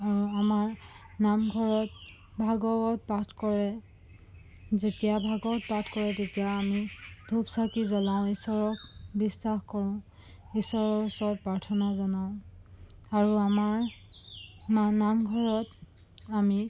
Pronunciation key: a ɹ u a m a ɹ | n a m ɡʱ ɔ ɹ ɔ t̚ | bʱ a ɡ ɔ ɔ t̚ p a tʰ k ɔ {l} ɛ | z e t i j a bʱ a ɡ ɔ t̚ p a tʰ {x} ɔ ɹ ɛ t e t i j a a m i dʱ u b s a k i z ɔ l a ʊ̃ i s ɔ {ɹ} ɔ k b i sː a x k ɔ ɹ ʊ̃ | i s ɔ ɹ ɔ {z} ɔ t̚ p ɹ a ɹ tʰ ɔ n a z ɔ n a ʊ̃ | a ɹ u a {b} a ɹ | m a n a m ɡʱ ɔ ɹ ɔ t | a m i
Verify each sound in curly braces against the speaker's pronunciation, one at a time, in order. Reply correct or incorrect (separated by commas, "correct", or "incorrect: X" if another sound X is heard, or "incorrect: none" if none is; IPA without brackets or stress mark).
incorrect: ɹ, incorrect: k, correct, incorrect: s, incorrect: m